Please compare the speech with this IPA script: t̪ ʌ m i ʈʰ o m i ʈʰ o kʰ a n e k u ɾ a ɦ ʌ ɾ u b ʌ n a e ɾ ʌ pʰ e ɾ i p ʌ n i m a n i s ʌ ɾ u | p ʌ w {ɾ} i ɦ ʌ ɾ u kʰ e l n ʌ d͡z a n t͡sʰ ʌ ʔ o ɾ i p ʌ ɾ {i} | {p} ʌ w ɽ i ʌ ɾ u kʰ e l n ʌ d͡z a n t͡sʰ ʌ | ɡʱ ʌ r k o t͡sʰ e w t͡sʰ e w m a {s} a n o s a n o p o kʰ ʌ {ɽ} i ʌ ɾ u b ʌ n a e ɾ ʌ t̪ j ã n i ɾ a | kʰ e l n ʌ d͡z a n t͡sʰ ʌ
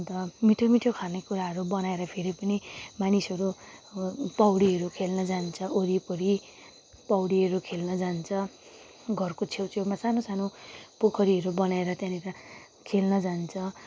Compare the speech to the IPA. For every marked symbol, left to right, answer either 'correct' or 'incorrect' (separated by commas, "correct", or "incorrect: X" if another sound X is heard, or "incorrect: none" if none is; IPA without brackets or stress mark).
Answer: incorrect: ɽ, correct, correct, correct, incorrect: ɾ